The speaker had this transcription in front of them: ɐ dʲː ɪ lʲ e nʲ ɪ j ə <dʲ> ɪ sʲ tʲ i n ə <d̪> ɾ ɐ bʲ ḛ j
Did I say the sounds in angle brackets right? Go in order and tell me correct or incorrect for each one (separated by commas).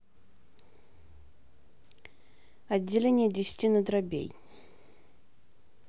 correct, correct